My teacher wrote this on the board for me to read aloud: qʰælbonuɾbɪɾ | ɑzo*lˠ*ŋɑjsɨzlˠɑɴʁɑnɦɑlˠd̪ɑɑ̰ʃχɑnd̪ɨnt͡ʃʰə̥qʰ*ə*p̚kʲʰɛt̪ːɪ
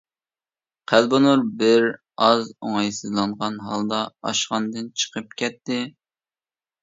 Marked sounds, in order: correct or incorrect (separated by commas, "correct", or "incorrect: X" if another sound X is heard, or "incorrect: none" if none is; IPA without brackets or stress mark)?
incorrect: none, correct